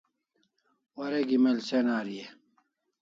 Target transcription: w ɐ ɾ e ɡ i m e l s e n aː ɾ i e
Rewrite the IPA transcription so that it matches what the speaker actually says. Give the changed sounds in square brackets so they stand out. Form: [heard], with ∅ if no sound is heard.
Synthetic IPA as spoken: w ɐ ɾ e ɡ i m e l s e n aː ɾ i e